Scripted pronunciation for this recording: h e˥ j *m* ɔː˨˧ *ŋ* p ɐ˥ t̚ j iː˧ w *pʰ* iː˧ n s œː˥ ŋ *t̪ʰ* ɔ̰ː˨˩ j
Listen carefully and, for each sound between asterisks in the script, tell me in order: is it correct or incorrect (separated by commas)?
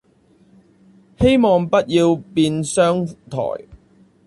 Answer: correct, correct, incorrect, correct